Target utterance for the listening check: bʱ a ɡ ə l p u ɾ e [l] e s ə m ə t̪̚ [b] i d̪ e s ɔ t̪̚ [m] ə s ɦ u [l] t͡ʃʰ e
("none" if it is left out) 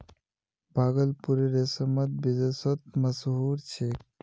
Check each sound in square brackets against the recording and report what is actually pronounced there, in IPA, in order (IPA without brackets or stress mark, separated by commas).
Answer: ɾ, b, m, ɾ